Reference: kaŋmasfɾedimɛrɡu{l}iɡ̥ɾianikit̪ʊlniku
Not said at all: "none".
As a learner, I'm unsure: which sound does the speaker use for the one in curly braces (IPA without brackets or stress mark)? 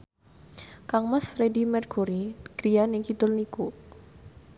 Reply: ɾ